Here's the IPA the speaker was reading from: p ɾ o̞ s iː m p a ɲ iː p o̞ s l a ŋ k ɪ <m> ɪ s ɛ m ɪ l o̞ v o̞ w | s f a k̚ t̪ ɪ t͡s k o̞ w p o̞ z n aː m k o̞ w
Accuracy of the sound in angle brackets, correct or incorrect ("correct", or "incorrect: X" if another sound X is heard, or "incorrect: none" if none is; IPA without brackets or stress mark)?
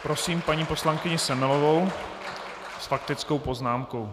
incorrect: ɲ